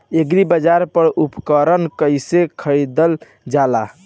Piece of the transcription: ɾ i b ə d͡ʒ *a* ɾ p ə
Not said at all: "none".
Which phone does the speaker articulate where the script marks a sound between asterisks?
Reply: a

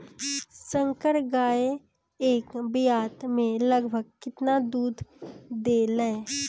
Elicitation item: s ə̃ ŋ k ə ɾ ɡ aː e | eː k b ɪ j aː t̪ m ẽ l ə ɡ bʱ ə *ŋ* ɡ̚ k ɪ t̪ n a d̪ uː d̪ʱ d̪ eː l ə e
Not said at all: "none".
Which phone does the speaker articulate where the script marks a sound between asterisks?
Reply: none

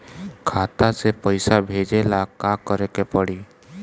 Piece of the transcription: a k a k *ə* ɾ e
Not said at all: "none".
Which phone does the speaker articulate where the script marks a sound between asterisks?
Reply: ə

